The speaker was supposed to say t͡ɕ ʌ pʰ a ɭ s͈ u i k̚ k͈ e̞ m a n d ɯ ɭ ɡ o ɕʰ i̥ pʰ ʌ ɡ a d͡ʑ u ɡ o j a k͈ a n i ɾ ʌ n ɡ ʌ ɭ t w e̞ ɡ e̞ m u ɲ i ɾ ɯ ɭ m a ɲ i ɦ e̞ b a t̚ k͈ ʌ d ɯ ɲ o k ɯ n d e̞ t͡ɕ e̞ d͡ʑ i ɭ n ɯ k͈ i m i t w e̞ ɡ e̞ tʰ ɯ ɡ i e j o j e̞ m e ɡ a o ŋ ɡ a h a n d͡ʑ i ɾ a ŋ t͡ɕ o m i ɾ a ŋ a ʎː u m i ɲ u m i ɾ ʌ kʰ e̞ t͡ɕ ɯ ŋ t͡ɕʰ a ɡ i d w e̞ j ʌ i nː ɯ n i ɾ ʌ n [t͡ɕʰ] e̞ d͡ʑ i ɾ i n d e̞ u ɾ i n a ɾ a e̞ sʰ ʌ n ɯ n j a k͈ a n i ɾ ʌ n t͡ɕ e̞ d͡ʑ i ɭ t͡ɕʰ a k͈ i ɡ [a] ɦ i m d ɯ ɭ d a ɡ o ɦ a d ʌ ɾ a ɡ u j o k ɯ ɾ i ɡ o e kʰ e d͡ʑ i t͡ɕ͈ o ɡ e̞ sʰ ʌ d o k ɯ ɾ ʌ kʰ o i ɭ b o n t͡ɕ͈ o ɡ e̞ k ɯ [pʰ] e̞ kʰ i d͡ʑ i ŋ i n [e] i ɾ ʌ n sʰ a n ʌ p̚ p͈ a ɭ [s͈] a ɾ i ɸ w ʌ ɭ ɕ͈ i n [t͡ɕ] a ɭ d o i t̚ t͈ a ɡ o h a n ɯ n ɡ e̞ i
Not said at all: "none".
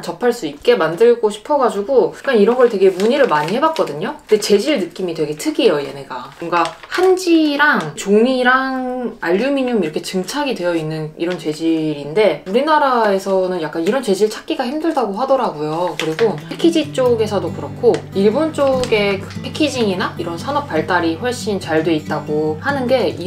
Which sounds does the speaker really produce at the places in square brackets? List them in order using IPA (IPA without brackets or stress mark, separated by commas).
t͡ɕ, a, pʰ, a, t͈, t͡ɕ